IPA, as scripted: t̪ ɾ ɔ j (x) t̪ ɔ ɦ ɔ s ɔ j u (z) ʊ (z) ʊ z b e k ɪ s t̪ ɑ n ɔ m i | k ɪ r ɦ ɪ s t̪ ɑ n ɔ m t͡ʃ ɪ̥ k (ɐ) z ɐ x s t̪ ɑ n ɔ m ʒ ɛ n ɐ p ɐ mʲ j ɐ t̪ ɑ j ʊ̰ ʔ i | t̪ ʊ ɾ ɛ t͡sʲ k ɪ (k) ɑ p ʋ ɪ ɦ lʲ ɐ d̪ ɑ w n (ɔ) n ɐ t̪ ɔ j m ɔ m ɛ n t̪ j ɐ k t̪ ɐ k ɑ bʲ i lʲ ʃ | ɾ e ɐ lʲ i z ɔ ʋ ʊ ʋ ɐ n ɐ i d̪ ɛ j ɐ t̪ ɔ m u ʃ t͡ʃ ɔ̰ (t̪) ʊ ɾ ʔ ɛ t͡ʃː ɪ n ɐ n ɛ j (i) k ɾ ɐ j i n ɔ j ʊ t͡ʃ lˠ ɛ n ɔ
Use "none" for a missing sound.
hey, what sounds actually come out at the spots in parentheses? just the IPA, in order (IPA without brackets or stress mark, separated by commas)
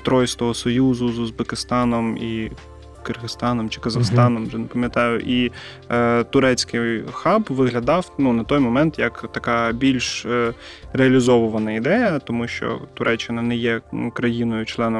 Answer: s, z, z, ɐ, x, u, t̪, ɛ